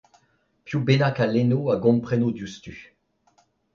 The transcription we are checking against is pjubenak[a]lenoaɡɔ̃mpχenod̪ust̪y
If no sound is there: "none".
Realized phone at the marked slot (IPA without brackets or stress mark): a